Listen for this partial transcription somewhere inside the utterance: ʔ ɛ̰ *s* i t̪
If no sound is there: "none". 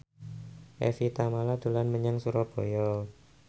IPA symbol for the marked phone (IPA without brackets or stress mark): f